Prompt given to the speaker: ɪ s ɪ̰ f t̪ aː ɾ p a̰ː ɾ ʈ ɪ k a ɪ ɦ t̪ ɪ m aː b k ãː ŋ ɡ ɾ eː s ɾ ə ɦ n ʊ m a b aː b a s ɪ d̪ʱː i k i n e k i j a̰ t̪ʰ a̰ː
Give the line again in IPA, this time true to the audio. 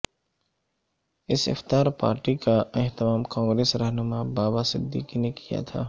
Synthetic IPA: ɪ s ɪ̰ f t̪ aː ɾ p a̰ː ɾ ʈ i k a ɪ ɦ t̪ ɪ m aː m k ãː ŋ ɡ ɾ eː s ɾ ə ɦ n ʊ m a b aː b a s ɪ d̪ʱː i k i n e k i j a̰ t̪ʰ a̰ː